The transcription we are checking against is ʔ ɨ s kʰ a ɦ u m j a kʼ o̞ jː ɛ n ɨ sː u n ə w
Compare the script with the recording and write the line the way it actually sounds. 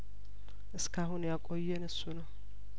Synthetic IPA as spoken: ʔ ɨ s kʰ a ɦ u n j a kʼ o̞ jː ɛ n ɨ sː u n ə w